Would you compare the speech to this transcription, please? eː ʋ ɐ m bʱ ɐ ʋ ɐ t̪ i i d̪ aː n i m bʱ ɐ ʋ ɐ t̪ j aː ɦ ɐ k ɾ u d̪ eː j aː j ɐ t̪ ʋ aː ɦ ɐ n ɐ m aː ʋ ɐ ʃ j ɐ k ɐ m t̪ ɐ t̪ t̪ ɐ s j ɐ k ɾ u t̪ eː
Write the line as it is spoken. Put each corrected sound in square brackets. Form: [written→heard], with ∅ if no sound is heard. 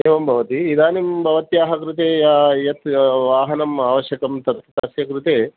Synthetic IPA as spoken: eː ʋ ɐ m bʱ ɐ ʋ ɐ t̪ i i d̪ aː n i m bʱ ɐ ʋ ɐ t̪ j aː ɦ ɐ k ɾ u [d̪→t̪] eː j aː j ɐ t̪ ʋ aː ɦ ɐ n ɐ m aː ʋ ɐ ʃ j ɐ k ɐ m t̪ ɐ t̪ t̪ ɐ s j ɐ k ɾ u t̪ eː